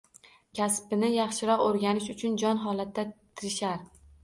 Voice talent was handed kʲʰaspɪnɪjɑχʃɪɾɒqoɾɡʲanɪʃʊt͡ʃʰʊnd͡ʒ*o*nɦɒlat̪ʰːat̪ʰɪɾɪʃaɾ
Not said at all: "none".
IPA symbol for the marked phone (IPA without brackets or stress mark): ɒ